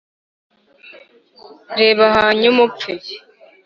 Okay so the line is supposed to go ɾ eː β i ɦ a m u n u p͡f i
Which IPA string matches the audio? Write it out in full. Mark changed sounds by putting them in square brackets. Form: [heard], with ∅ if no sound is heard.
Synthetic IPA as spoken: ɾ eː β [a] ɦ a [ɲ] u [m] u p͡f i